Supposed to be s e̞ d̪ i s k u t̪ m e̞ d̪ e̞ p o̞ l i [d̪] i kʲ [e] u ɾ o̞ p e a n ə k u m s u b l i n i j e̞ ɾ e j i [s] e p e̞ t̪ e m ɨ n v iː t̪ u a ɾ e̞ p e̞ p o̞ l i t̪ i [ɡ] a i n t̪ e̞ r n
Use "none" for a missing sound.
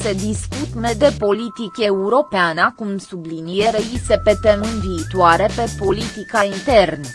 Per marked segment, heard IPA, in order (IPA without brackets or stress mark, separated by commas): t̪, e, s, k